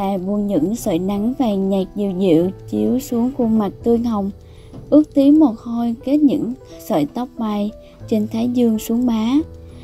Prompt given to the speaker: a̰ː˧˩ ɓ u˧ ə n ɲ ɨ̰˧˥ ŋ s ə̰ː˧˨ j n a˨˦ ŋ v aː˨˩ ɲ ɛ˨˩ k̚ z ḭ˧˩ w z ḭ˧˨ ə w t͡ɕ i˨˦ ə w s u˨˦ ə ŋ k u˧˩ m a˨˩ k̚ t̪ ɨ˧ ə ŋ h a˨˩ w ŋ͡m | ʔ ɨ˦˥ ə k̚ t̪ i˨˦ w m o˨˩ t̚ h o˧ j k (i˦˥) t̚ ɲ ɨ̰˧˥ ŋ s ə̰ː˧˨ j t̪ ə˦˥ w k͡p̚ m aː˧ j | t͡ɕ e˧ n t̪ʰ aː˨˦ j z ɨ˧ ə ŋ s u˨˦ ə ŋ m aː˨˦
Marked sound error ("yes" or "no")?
yes